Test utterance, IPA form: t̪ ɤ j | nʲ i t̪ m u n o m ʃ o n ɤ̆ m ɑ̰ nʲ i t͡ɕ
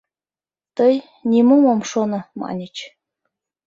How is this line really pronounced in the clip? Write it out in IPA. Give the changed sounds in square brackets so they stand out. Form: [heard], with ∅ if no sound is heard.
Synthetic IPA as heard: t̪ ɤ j | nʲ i [∅] m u [m] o m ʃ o n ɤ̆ m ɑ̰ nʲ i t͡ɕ